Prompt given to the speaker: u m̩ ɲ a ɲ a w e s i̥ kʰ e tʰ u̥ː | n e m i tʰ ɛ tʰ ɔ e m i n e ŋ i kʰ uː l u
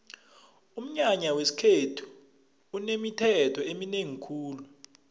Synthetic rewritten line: u m̩ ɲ a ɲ a w e s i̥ kʰ e tʰ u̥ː | n e m i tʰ ɛ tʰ ɔ e m i n e ŋ i kʰ uː l u